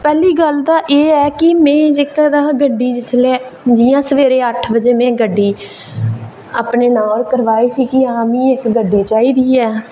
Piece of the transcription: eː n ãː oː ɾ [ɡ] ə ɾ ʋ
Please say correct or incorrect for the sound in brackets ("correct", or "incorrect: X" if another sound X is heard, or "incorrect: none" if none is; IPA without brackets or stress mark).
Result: incorrect: k